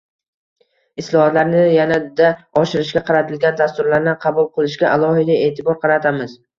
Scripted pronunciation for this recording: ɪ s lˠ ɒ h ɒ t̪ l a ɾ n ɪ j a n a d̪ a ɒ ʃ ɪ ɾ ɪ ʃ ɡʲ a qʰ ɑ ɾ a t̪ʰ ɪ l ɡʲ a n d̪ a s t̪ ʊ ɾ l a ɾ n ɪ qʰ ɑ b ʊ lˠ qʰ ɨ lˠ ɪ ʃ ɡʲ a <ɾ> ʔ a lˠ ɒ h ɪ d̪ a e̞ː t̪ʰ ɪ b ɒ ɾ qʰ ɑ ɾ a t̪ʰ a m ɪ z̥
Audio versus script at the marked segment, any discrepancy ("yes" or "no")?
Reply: yes